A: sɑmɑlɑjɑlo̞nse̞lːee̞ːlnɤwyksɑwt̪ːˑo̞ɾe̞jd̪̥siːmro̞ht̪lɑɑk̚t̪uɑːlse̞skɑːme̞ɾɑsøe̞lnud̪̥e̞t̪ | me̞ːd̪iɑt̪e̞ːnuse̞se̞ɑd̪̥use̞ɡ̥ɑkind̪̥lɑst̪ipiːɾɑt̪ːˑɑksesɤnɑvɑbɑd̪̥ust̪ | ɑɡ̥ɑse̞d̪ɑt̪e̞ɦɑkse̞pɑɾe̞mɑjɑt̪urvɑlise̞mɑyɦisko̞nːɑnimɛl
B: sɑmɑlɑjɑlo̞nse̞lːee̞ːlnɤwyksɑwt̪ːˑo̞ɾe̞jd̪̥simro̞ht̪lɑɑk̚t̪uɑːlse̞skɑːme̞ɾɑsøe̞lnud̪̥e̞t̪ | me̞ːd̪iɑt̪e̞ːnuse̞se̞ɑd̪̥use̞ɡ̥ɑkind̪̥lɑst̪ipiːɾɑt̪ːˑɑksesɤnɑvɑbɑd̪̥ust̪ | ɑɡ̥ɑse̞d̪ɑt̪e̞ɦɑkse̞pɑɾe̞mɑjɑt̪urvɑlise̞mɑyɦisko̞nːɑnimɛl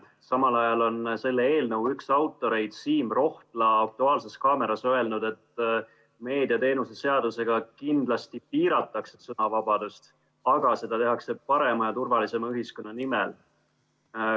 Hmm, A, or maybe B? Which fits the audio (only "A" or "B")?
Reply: A